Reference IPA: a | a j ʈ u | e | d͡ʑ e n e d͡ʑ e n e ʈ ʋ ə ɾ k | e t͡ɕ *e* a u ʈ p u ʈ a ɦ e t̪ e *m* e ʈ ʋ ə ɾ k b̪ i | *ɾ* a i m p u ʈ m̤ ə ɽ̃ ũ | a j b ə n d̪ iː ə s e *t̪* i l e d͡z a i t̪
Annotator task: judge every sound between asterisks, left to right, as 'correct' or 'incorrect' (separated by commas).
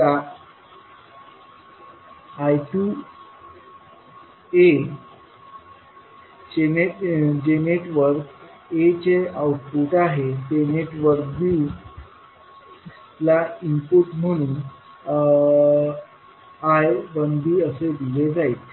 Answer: correct, incorrect, incorrect, incorrect